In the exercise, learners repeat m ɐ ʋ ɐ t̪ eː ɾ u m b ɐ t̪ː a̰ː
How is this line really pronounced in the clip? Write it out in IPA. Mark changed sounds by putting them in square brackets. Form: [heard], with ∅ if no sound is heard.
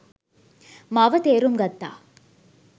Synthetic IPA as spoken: m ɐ ʋ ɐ t̪ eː ɾ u m [ɡ] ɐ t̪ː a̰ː